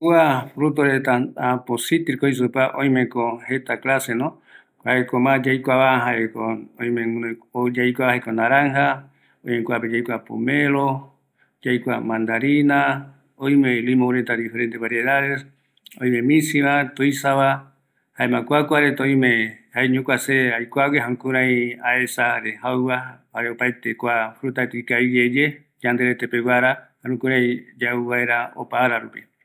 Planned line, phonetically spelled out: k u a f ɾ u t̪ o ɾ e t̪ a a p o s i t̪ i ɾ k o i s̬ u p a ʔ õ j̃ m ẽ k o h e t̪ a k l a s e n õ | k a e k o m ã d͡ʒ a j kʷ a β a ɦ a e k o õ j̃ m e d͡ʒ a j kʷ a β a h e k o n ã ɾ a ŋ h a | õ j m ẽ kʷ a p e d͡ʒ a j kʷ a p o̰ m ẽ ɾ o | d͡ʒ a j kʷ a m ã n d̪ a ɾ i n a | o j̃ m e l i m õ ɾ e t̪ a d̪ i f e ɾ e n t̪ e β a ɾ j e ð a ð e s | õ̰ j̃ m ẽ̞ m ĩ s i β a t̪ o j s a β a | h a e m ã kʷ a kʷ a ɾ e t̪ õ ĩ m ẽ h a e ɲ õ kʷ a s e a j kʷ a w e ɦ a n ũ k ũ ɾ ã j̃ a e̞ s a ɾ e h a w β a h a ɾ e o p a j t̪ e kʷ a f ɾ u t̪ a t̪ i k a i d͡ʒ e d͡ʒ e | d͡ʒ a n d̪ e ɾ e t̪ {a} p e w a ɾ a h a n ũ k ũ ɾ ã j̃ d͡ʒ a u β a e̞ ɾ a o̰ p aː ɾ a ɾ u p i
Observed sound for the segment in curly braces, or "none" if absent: e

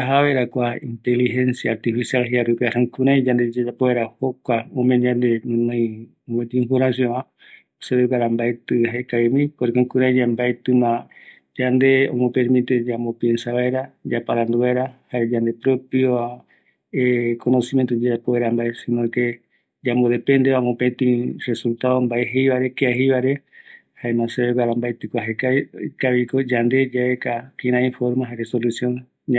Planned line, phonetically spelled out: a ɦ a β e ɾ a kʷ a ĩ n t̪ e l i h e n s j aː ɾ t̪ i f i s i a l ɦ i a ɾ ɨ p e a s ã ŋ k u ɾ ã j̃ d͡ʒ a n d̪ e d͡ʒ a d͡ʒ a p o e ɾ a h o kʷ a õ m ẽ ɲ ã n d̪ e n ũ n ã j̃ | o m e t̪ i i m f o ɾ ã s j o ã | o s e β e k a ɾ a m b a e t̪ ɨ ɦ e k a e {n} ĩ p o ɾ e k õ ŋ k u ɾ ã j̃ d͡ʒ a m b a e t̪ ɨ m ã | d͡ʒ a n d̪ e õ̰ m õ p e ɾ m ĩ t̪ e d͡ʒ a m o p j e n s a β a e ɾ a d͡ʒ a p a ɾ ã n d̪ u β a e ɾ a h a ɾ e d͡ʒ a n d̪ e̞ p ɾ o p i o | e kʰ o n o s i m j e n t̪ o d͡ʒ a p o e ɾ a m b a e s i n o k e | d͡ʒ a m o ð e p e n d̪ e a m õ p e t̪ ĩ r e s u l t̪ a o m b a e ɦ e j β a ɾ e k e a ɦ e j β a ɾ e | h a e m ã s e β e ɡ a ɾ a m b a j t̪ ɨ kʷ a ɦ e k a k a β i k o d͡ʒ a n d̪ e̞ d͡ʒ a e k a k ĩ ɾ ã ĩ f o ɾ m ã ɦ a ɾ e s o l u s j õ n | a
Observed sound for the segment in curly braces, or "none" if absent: m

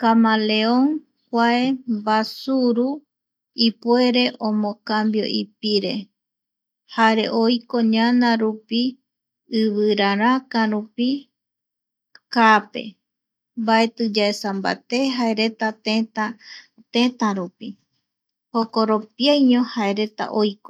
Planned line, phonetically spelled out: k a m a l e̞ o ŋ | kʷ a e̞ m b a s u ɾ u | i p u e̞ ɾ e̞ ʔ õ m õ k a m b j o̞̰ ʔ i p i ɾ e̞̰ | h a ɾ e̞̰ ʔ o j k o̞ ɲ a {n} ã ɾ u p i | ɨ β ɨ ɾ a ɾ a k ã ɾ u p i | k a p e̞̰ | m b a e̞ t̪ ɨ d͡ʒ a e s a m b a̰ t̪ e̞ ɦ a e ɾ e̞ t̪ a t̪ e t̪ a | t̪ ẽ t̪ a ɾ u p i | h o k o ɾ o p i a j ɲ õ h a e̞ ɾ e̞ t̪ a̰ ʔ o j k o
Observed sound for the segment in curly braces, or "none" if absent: n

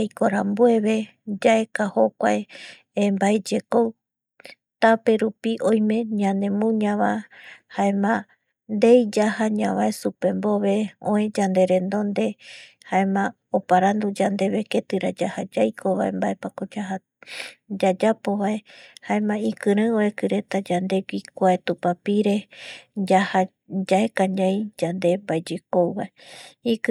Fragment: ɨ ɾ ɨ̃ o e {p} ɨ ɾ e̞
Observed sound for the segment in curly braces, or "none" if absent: k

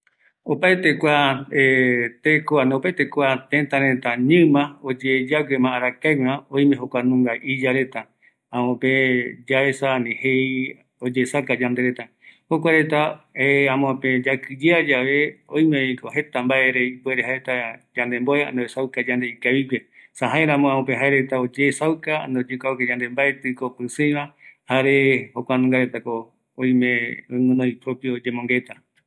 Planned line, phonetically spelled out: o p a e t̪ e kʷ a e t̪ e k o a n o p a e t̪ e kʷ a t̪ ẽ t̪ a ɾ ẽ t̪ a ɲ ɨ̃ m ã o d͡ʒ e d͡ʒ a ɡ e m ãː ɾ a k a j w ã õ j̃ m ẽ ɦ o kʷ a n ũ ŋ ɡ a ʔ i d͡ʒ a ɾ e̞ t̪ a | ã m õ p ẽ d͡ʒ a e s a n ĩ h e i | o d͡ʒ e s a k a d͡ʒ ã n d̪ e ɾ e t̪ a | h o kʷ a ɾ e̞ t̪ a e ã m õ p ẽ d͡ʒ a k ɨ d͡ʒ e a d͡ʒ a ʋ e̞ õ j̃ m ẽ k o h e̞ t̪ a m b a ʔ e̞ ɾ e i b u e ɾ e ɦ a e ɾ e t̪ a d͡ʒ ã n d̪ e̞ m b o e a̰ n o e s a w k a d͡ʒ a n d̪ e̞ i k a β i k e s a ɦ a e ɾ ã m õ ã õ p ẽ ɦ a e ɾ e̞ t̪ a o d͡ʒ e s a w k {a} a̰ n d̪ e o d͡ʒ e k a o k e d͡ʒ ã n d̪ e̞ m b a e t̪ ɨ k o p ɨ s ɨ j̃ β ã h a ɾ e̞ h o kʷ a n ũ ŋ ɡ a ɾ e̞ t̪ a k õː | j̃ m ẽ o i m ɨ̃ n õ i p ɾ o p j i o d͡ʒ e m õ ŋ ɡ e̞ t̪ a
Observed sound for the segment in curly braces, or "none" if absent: a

